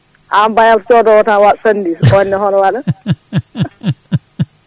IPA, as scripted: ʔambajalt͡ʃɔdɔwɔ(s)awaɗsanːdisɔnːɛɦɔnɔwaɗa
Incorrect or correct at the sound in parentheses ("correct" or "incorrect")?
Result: incorrect